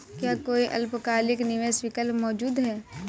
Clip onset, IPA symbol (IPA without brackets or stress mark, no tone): k